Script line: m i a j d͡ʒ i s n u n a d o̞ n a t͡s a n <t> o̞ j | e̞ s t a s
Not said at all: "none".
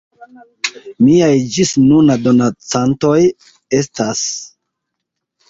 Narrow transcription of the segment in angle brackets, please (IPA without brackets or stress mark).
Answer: t